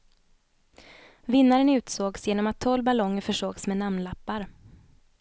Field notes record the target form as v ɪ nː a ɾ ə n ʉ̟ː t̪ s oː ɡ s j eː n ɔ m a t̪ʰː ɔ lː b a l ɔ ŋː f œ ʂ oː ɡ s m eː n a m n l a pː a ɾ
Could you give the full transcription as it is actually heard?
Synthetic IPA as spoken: v ɪ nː a ɾ ə n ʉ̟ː t̪ s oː ɡ s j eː n ɔ m a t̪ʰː ɔ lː b a l ɔ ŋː f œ ʂ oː ɡ s m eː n a m n l a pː a ɾ

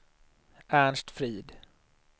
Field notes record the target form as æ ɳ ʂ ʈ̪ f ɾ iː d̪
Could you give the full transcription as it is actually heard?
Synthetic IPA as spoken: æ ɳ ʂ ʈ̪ f ɾ iː d̪

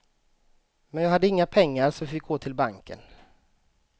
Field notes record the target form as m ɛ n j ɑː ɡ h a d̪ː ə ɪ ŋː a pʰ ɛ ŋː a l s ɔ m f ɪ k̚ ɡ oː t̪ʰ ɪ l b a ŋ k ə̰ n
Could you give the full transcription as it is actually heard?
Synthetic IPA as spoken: m ɛ n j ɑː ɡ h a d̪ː ə ɪ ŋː a pʰ ɛ ŋː a ɾ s ɔ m f ɪ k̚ ɡ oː t̪ʰ ɪ l b a ŋ k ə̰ n

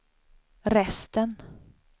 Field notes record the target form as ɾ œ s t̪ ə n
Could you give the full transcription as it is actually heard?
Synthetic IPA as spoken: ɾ ɛ s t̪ ə n

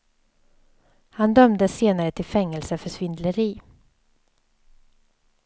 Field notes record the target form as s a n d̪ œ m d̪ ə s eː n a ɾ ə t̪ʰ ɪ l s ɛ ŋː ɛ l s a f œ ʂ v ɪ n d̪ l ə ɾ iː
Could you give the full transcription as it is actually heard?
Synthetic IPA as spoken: h a n d̪ œ m d̪ ə s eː n a ɾ ə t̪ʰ ɪ l f ɛ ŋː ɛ l s ə f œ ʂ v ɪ n d̪ l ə ɾ iː

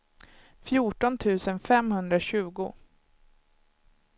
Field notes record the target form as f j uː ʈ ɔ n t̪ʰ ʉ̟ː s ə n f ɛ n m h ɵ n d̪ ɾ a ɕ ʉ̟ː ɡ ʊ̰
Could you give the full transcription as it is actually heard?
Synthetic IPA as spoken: f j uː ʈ ɔ n t̪ʰ ʉ̟ː s ə n f ɛ m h ɵ n d̪ ɾ a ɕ ʉ̟ː ɡ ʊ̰

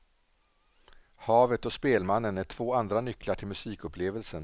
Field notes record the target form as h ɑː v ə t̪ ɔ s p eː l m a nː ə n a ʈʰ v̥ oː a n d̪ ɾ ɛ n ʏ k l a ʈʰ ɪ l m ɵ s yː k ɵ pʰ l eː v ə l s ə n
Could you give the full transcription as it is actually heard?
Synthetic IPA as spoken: h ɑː v ə t̪ ɔ s p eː l m a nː ə n æ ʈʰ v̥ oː a n d̪ ɾ a n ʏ k l a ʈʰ ɪ l m ɵ s iː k ɵ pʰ l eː v ə l s ə n

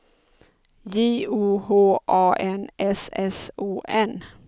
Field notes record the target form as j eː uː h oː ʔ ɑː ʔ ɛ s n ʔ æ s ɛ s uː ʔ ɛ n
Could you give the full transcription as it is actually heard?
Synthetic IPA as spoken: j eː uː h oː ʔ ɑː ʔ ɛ n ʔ ɛ s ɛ s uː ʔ ɛ n

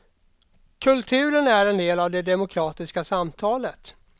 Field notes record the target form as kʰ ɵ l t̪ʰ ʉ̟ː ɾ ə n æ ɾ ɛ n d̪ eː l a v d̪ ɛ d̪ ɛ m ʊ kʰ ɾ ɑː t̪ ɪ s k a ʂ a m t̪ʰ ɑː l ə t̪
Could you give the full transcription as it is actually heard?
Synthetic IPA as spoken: kʰ ɵ l t̪ʰ ʉ̟ː ɾ ə n æ ɾ ɛ n d̪ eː l a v d̪ ɛ d̪ ɛ m ʊ kʰ ɾ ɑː t̪ ɪ s k a s a m t̪ʰ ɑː l ə t̪

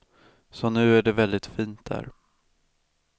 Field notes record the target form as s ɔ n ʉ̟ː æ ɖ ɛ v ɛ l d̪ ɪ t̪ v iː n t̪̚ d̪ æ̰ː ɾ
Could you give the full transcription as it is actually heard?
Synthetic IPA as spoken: s ɔ n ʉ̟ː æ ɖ ɛ v ɛ l d̪ ɪ t̪ f iː n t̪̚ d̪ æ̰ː ɾ

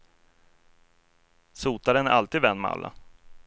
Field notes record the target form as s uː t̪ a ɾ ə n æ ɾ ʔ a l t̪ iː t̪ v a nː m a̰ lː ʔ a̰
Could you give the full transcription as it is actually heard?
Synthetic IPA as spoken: s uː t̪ a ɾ ə n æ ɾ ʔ a l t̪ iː d̪ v ɛ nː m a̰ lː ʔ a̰

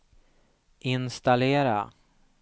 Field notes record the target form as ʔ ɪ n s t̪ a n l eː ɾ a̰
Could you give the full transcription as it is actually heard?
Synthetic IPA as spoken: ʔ ɪ n s t̪ a l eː ɾ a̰

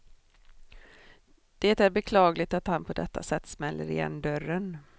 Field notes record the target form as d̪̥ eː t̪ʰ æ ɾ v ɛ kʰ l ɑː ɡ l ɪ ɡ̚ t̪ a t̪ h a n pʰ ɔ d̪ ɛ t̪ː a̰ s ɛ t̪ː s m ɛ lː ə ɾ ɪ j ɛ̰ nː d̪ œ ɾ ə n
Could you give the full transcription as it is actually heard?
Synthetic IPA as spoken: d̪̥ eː t̪ æ ɾ b ɛ kʰ l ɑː ɡ l ɪ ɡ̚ t̪ a t̪ h a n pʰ ɔ d̪ ɛ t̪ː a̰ s ɛ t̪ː s m ɛ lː ə ɾ ɪ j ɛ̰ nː d̪ œ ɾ ə n

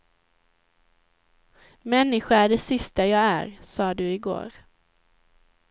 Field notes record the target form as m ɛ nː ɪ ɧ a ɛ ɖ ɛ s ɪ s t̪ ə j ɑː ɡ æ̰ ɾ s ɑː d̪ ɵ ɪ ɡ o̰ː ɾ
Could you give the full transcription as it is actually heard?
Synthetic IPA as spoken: m ɛ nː ɪ ɧ a æ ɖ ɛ s ɪ s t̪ a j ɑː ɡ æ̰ ɾ s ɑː d̪ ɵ ɪ ɡ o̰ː ɾ

